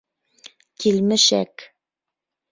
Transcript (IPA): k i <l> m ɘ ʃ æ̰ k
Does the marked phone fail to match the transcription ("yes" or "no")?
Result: no